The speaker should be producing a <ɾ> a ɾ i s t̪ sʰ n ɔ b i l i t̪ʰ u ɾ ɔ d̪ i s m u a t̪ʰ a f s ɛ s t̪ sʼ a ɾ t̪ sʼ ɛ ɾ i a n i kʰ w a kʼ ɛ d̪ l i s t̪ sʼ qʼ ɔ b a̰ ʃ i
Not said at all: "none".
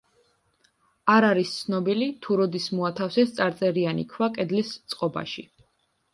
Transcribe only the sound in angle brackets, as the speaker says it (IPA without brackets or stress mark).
ɾ